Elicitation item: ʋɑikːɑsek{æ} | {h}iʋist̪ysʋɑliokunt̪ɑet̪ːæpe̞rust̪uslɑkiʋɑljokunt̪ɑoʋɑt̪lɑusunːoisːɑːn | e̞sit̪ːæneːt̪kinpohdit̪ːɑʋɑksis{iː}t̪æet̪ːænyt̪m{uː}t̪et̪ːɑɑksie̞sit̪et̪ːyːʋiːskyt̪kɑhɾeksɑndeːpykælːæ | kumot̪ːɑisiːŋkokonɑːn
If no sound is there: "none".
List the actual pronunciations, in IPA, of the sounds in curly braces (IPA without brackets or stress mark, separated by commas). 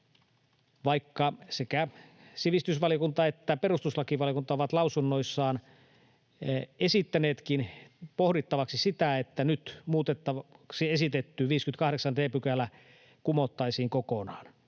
æ, s, i, uː